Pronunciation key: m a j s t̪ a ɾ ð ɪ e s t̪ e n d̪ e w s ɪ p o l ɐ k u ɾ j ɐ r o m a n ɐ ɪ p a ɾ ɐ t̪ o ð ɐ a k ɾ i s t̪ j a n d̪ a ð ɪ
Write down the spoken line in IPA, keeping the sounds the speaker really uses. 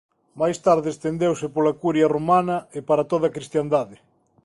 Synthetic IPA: m a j s t̪ a ɾ ð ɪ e s t̪ e n d̪ e w s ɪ p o l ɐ k u ɾ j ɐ r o m a n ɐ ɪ p a ɾ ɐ t̪ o ð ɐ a k ɾ i s t̪ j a n d̪ a ð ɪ